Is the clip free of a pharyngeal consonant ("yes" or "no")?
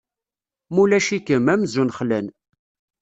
yes